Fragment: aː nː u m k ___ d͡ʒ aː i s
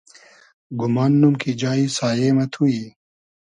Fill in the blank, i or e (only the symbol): i